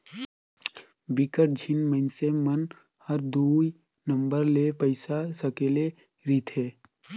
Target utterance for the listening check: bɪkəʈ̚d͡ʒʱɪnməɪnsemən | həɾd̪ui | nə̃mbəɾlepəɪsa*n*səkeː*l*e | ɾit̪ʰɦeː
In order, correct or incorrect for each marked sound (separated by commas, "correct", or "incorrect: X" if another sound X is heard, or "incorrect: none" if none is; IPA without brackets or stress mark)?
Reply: incorrect: none, correct